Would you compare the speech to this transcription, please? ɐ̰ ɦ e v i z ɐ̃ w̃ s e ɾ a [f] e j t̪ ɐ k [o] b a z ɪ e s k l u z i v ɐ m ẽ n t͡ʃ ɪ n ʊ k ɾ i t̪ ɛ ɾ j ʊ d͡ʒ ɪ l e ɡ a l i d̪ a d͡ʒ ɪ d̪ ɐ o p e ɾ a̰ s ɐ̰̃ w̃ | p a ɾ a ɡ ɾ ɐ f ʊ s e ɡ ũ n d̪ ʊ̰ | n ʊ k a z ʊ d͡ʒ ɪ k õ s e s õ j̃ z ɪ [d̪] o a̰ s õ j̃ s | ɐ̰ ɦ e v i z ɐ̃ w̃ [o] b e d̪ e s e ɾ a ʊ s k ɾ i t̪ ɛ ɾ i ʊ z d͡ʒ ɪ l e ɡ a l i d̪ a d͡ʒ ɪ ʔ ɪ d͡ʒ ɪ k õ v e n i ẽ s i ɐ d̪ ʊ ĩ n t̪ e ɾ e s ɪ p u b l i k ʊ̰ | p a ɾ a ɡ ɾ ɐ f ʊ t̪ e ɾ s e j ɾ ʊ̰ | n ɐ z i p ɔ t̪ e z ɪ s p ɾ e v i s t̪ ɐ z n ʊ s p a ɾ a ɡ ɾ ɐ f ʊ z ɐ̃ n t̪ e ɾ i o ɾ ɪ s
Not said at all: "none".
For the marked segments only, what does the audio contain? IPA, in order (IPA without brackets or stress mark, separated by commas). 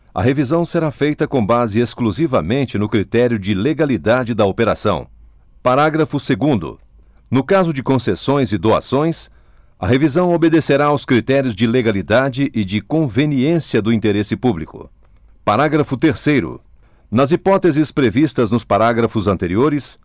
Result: f, õ, d̪, o